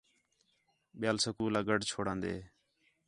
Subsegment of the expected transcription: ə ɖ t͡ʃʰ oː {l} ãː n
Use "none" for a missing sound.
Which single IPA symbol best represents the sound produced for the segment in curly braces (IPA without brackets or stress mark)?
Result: ɽ